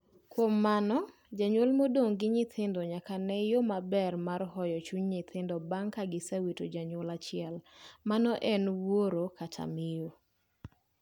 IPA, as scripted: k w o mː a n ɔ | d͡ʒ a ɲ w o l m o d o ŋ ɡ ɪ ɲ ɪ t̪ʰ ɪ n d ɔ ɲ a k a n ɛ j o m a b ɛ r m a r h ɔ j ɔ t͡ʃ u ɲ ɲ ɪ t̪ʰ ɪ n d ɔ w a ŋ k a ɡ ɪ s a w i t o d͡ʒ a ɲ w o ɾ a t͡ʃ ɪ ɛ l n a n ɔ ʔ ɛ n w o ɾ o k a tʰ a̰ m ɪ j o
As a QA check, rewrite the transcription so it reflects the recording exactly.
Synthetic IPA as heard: k w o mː a n ɔ | d͡ʒ a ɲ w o l m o d o ŋ ɡ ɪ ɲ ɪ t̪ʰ ɪ n d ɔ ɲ a k a n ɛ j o m a b ɛ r m a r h ɔ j ɔ t͡ʃ u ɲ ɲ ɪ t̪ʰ ɪ n d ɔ b a ŋ k a ɡ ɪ s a w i t o d͡ʒ a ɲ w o l a t͡ʃ ɪ ɛ l m a n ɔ ʔ ɛ n w o ɾ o k a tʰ a̰ m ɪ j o